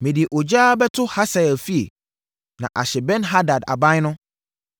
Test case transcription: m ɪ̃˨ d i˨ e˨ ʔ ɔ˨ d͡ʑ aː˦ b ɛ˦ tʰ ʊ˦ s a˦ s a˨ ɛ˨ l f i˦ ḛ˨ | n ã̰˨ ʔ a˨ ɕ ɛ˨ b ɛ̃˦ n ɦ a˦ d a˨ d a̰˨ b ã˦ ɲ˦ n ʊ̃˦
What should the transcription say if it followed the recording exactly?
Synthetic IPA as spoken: m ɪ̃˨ d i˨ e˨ ʔ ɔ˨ d͡ʑ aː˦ b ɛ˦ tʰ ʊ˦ h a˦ s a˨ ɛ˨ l f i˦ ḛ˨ | n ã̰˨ ʔ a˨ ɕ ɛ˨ b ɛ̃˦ n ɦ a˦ d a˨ d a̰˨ b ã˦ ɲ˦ n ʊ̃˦